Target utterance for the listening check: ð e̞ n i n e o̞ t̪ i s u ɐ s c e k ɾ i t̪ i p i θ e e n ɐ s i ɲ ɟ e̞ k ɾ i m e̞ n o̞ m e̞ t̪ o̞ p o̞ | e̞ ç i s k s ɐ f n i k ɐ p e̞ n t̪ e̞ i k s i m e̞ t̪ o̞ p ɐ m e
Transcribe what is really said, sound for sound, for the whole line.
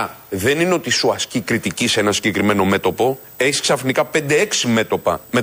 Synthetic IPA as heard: ð e̞ n i n e o̞ t̪ i s u ɐ s c i k ɾ i t̪ i c i s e e n ɐ s i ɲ ɟ e̞ k ɾ i m e̞ n o̞ m e̞ t̪ o̞ p o̞ | e̞ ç i s k s ɐ f n i k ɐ p e̞ n d̪ e̞ e k s i m e̞ t̪ o̞ p ɐ m e